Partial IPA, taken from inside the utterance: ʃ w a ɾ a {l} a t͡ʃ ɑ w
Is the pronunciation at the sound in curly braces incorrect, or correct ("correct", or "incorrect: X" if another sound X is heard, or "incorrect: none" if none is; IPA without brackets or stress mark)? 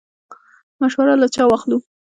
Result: correct